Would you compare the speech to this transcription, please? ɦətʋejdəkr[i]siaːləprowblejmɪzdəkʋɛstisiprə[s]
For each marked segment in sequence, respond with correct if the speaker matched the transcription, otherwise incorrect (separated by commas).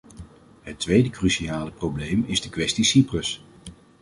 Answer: incorrect, correct